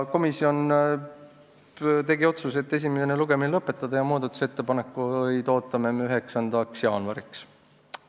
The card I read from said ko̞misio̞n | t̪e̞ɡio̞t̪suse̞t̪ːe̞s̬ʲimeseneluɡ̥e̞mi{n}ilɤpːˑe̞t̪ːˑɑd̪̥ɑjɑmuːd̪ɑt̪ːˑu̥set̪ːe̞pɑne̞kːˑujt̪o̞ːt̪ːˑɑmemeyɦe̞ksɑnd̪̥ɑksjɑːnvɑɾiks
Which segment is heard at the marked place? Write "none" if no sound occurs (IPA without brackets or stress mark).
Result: n